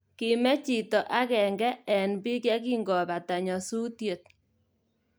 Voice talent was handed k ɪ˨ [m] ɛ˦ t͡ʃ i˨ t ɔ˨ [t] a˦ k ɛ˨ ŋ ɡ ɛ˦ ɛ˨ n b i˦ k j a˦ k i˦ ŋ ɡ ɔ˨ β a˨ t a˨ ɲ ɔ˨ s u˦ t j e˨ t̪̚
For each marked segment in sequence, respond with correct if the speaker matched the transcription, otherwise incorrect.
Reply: correct, incorrect

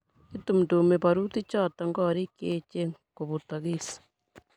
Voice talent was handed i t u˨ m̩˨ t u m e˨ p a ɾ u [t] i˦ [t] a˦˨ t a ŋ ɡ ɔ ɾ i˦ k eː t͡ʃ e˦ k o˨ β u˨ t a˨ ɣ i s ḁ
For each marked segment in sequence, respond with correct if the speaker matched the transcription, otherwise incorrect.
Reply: correct, incorrect

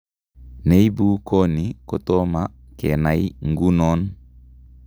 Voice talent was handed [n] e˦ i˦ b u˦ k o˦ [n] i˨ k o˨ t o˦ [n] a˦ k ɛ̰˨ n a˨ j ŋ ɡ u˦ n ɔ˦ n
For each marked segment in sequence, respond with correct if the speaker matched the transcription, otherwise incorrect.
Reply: correct, correct, incorrect

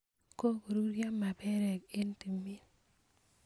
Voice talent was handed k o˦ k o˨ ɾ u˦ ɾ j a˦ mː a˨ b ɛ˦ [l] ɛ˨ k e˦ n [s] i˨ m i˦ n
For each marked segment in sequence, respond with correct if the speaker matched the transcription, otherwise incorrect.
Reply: incorrect, incorrect

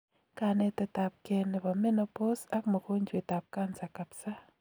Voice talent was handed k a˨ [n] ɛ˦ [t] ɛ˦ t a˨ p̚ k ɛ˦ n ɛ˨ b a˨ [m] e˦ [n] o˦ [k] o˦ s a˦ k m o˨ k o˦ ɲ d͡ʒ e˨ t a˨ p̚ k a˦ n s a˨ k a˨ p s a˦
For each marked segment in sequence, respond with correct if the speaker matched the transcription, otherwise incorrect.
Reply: correct, correct, correct, correct, incorrect

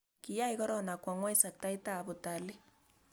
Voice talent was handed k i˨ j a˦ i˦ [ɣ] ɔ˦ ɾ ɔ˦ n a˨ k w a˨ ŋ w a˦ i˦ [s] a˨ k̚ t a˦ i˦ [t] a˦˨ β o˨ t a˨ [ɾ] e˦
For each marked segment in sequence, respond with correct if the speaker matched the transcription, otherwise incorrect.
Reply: correct, correct, correct, incorrect

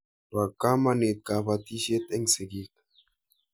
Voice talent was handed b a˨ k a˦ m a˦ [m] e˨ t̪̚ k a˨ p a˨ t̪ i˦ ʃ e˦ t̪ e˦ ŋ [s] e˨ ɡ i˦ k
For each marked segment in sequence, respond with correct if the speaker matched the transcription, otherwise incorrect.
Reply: incorrect, correct

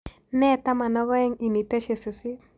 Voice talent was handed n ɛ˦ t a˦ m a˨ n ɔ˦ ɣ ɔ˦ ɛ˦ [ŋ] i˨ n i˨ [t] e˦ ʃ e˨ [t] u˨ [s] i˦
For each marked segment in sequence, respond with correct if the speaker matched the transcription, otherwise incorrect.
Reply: correct, correct, incorrect, correct

